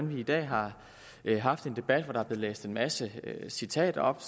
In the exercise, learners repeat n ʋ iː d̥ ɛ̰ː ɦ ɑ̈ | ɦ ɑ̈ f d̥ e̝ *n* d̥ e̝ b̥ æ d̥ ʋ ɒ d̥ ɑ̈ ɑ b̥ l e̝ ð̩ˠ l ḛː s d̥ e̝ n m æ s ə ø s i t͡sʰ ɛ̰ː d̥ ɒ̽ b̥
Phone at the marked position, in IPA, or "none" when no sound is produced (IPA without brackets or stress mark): n